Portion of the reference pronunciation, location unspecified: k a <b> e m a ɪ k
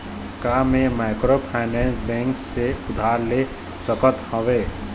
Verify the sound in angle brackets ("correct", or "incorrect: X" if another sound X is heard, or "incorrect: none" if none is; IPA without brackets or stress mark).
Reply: incorrect: m